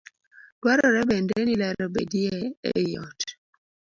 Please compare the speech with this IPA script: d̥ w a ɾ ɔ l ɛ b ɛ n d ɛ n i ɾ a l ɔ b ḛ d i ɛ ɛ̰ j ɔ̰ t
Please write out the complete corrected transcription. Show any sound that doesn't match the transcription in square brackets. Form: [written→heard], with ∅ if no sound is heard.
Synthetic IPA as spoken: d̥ w a ɾ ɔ [l→ɾ] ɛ b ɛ n d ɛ n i [ɾ→l] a [l→ɾ] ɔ b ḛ d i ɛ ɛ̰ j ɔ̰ t